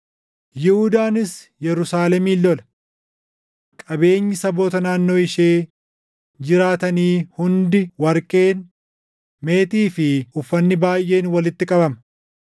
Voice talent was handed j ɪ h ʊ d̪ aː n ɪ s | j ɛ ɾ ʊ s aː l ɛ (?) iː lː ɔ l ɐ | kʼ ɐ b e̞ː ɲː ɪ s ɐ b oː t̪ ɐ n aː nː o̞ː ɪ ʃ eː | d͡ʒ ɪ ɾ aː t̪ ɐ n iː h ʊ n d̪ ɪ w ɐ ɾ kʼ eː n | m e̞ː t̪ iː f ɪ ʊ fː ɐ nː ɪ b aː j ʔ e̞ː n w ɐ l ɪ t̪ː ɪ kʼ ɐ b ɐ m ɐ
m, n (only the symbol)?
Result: m